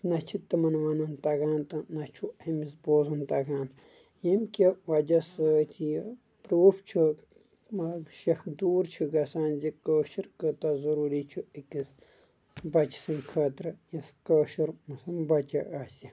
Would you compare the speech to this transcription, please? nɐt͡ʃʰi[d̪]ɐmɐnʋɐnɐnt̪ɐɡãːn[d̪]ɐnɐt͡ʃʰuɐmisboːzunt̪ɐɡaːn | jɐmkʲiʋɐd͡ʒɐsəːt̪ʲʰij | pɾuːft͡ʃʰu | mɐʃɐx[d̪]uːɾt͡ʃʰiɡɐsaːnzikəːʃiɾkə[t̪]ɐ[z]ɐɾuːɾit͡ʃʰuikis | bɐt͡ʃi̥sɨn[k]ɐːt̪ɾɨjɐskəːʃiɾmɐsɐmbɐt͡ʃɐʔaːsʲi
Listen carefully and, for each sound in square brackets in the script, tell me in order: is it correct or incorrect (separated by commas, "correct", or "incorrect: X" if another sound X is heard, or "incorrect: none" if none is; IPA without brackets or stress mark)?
incorrect: t̪, incorrect: t̪, correct, correct, correct, incorrect: kʰ